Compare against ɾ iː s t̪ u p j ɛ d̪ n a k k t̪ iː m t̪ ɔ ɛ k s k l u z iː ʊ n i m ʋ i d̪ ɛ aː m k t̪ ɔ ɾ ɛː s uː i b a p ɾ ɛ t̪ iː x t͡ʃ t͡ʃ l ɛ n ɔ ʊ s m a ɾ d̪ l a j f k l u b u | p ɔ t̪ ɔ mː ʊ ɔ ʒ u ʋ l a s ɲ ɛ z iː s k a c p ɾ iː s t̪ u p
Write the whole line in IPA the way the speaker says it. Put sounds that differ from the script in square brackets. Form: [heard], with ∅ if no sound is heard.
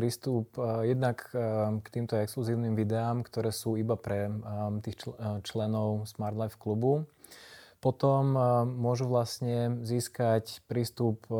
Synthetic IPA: ɾ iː s t̪ u p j ɛ d̪ n a k k t̪ iː m t̪ ɔ ɛ k s k l u z iː ʊ n i m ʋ i d̪ ɛ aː m k t̪ ɔ ɾ ɛː s uː i b a p ɾ ɛ t̪ iː x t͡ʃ t͡ʃ l ɛ n ɔ ʊ s m a ɾ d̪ l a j f k l u b u | p ɔ t̪ ɔ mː ʊ ɔ ʒ u ʋ l a s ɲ ɛ z iː s k a c p ɾ iː s t̪ u p